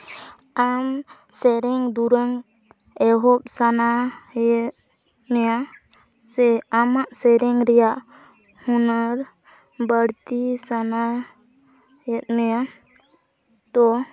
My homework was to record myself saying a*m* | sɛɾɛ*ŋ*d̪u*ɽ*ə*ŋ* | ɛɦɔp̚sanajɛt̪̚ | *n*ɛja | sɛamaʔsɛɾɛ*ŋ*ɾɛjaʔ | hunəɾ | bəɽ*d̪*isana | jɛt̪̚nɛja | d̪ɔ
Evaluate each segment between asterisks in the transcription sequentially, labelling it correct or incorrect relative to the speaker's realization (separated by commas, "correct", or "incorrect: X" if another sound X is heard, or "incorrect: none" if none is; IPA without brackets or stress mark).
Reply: correct, correct, incorrect: ɾ, correct, correct, correct, incorrect: t̪